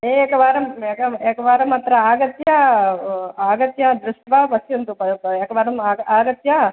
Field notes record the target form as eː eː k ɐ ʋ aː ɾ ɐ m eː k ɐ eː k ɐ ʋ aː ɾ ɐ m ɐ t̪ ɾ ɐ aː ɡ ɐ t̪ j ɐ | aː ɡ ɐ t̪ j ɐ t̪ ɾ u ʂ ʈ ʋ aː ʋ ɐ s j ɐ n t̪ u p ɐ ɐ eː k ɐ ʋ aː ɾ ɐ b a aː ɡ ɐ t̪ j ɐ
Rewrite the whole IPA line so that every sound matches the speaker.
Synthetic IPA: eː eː k ɐ ʋ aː ɾ ɐ m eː k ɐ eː k ɐ ʋ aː ɾ ɐ m ɐ t̪ ɾ ɐ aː ɡ ɐ t̪ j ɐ | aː ɡ ɐ t̪ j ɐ d̪ ɾ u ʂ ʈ ʋ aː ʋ ɐ s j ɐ n t̪ u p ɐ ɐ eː k ɐ ʋ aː ɾ ɐ m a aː ɡ ɐ t̪ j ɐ